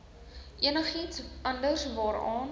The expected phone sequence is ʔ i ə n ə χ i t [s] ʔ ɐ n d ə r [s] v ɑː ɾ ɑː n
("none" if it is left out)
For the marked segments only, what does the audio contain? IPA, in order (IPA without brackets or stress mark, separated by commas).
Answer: s, s